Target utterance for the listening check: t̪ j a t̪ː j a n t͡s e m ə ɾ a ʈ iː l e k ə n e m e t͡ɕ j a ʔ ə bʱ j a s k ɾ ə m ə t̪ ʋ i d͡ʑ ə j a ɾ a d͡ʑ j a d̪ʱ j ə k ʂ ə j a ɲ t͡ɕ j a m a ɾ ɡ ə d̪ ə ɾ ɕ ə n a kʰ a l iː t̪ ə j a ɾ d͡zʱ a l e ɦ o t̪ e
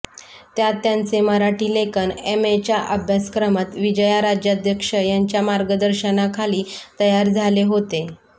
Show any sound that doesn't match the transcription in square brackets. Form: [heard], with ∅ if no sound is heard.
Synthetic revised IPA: t̪ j a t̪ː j a n t͡s e m ə ɾ a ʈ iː l e k ə n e m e t͡ɕ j a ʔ ə bʱ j a s k ɾ ə m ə t̪ ʋ i d͡ʑ ə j a ɾ a d͡ʑ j a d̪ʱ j ə k ʂ ə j a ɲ t͡ɕ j a m a ɾ ɡ ə d̪ ə ɾ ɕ ə n a kʰ a l iː t̪ ə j a ɾ d͡zʱ a l e ɦ o t̪ e